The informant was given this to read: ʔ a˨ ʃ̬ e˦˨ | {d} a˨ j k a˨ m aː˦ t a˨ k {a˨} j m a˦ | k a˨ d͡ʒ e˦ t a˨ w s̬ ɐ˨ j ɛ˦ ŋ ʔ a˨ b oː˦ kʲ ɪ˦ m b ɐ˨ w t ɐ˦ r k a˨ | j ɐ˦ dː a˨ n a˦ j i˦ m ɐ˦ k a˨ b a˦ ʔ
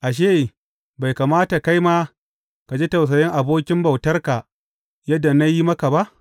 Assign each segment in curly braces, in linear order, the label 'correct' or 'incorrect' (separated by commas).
incorrect, incorrect